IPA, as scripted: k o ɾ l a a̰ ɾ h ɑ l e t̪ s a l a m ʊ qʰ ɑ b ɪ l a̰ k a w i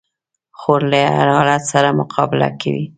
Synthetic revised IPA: x o ɾ l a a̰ ɾ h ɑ l a t̪ s a ɾ a m ʊ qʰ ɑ b ɪ l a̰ k a w i